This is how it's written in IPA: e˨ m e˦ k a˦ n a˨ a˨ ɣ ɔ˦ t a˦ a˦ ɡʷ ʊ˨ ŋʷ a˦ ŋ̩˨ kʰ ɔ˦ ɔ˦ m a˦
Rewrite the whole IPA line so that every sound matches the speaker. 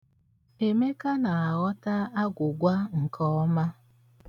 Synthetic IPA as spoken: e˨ m e˦ k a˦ n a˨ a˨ ɣ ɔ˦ t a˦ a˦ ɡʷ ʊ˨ ɡʷ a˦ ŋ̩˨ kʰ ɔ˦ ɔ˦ m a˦